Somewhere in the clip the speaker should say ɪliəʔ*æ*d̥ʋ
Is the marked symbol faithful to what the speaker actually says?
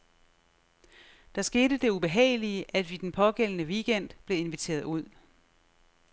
yes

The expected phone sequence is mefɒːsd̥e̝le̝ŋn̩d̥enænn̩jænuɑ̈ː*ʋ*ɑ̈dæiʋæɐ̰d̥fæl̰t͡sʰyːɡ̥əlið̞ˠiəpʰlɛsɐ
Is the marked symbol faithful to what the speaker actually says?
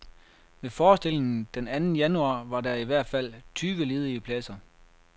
yes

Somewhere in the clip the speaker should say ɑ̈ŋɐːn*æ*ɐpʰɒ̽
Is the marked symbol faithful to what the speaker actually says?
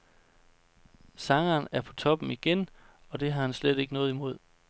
yes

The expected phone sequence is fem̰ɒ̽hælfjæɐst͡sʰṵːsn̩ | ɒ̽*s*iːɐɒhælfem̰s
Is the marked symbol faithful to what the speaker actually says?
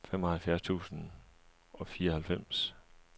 no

